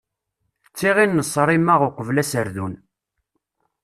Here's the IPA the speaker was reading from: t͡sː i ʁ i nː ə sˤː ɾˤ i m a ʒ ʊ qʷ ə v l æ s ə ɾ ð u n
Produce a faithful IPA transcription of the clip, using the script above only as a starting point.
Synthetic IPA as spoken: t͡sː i ʁ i nː ə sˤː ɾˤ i m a ʁ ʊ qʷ ə v l æ s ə ɾ ð u n